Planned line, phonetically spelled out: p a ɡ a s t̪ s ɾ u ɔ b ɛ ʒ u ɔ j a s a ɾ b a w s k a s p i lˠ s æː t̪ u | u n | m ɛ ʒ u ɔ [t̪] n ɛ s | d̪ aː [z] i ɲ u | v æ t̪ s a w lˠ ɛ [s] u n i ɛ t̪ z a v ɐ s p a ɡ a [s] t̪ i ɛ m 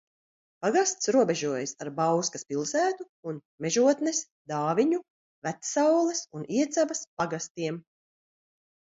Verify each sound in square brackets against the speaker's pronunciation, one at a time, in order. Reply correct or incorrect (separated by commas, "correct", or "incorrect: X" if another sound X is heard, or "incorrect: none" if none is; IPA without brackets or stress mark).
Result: correct, incorrect: v, correct, correct